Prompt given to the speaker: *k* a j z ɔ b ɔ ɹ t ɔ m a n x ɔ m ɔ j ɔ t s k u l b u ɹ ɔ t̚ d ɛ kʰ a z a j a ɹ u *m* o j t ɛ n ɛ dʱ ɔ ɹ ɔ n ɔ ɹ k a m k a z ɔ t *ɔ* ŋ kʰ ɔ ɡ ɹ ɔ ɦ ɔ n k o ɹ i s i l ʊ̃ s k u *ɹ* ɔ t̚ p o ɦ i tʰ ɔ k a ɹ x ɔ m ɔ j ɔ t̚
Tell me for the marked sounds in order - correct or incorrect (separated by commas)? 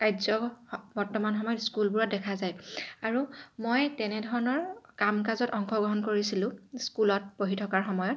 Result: correct, correct, correct, incorrect